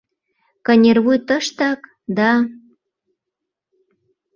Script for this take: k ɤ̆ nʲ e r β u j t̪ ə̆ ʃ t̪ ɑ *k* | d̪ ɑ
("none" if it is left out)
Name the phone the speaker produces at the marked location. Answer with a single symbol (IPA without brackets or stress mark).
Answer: k